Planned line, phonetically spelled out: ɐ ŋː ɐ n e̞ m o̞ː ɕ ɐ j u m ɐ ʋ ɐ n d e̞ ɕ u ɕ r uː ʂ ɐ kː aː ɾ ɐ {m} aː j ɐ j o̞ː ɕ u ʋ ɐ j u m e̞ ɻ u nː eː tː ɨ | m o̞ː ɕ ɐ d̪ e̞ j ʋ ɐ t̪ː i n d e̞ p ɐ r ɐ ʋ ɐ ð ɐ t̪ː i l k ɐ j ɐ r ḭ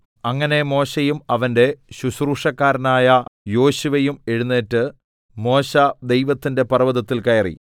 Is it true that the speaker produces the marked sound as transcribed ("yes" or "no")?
no